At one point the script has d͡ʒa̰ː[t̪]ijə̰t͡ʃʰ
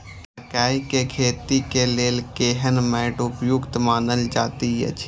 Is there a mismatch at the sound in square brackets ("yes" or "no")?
no